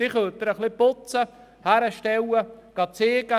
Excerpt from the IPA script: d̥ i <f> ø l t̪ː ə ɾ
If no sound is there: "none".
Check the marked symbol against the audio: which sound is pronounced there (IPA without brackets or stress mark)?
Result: χ